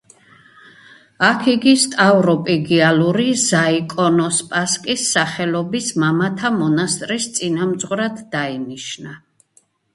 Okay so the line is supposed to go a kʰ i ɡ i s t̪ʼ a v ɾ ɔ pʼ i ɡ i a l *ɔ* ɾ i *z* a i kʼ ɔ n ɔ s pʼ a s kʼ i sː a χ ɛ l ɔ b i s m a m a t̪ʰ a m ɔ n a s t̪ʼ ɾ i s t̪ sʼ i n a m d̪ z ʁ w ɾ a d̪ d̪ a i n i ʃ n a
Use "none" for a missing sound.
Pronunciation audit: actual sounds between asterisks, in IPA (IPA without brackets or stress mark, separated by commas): u, z